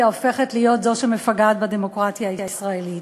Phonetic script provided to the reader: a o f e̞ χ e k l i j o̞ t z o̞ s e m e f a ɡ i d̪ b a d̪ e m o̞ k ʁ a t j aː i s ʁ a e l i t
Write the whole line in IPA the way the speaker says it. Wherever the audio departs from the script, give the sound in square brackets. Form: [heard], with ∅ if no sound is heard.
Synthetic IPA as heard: a o f e̞ χ e [t] l i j o̞ t z o̞ [ʃ] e m e f a ɡ [a] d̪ b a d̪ e m o̞ k ʁ a t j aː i s ʁ a e l i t